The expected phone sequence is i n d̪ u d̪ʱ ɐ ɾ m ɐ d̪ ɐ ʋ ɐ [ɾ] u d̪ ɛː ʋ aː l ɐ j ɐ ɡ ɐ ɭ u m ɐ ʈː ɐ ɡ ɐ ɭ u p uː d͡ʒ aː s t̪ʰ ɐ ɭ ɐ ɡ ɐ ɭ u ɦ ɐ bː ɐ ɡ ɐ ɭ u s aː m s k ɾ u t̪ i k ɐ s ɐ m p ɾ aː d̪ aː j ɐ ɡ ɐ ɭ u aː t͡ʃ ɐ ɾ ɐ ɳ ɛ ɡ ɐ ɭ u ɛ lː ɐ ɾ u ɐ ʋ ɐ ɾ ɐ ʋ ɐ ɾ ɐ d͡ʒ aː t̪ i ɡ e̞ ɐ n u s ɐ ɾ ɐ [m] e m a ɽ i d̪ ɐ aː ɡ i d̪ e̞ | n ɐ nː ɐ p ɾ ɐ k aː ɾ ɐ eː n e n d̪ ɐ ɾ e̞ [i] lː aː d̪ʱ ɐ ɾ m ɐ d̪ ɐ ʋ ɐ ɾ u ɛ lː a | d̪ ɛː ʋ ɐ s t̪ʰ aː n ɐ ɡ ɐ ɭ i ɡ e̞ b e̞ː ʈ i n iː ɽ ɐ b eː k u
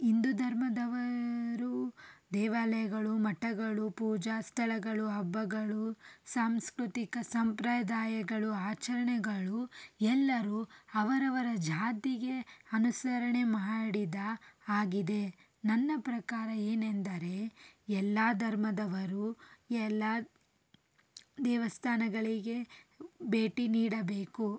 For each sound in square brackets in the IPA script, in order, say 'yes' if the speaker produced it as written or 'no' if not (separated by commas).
yes, no, no